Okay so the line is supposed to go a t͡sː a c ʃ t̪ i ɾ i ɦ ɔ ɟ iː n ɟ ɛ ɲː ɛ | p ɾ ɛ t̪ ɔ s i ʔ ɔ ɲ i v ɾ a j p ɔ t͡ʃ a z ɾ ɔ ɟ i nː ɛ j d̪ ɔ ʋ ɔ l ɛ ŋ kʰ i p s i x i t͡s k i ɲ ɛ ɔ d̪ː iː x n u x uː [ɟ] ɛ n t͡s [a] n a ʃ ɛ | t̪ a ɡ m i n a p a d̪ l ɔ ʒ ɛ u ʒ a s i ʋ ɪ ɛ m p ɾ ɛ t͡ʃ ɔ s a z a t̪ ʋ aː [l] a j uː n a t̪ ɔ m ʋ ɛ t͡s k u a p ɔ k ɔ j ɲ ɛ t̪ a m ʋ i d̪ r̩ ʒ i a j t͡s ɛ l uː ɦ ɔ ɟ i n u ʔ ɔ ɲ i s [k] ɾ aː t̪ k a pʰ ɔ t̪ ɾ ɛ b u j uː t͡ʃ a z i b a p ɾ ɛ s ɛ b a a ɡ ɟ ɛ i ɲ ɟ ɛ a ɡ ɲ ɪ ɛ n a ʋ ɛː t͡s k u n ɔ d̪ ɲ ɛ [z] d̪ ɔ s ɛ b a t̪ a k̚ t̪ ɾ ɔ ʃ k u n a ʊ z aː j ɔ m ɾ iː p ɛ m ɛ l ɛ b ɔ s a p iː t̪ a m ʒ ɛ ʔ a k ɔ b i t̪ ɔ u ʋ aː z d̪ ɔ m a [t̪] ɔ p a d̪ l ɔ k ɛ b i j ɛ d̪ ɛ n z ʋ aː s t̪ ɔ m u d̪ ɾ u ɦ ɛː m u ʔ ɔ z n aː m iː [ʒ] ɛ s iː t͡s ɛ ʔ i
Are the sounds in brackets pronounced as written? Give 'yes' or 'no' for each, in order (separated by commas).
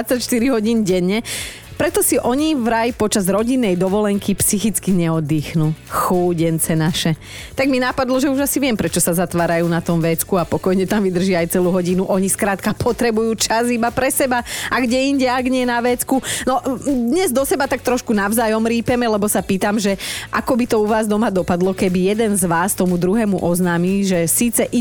yes, no, no, yes, yes, no, yes